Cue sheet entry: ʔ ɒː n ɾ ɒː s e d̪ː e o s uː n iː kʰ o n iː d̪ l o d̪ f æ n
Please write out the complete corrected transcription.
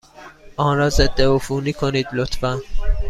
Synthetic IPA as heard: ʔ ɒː n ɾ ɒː z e d̪ː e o f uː n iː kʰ o n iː d̪ l o t̪ f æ n

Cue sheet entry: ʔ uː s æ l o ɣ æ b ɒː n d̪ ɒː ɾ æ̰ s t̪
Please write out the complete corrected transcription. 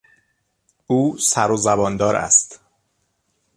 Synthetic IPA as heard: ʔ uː s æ ɾ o z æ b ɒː n d̪ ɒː ɾ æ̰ s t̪

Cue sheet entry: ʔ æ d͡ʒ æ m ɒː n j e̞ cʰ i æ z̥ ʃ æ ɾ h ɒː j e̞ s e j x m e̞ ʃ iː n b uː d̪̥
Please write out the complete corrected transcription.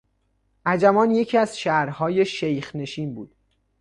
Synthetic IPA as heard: ʔ æ d͡ʒ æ m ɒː n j e̞ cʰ i æ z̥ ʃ æ ɾ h ɒː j e̞ ʃ e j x n e̞ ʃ iː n b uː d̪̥

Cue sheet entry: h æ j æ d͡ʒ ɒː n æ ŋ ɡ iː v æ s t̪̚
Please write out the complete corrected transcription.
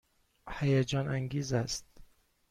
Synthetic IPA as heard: h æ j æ d͡ʒ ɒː n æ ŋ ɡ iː z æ s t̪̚

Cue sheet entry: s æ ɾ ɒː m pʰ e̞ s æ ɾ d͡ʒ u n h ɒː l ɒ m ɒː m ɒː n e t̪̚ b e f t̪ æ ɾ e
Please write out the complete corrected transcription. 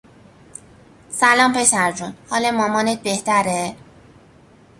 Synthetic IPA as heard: s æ l ɒː m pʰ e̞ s æ ɾ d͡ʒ u n h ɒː l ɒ m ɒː m ɒː n e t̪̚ b e h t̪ æ ɾ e

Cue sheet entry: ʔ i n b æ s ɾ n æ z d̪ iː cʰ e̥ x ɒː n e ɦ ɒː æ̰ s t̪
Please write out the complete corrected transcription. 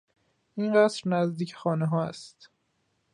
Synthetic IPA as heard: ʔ i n ɢ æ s ɾ n æ z d̪ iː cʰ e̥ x ɒː n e ɦ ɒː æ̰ s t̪

